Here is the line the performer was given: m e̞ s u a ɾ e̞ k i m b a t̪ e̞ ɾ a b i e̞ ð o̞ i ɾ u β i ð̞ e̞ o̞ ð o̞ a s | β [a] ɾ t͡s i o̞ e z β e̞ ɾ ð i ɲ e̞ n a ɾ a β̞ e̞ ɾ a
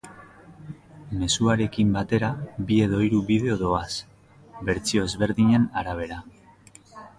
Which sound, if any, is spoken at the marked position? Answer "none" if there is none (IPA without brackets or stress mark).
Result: e